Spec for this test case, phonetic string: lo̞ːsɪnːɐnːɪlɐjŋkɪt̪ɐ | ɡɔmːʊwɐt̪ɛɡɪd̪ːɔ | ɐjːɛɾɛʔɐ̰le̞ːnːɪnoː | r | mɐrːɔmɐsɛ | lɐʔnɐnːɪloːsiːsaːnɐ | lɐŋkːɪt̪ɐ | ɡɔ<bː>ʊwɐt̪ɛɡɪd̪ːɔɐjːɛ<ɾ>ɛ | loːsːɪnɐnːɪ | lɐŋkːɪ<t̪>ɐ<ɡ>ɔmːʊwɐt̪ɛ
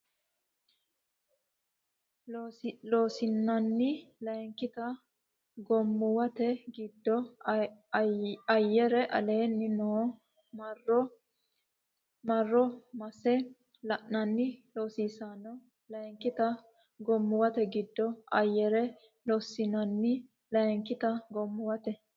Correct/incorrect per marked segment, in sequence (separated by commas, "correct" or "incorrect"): incorrect, correct, correct, correct